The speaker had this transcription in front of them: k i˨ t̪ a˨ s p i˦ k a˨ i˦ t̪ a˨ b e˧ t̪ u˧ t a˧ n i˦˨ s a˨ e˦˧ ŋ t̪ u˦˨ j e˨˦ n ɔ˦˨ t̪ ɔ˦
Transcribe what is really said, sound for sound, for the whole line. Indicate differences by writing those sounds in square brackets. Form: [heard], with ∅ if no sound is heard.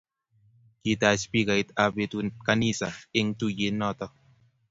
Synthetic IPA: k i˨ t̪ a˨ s p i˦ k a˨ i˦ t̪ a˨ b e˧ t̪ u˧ [k] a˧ n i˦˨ s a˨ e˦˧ ŋ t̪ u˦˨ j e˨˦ n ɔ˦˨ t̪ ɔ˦